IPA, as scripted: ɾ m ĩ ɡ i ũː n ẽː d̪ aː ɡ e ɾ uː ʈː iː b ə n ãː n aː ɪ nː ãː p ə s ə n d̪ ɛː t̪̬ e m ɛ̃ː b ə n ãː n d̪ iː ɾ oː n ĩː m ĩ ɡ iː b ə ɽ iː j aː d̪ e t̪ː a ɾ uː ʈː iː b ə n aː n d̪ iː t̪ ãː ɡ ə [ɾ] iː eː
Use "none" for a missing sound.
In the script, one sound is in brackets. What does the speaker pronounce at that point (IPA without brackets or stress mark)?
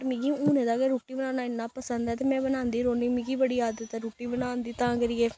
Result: ɾ